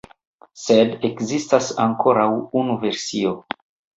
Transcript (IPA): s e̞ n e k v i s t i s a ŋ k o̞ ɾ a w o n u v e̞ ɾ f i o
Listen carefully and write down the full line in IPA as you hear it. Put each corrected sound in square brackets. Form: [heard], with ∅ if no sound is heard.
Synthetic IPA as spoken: s e̞ [d] e k [z] i s t [a] s a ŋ k o̞ ɾ a w [u] n u v e̞ ɾ [s] i o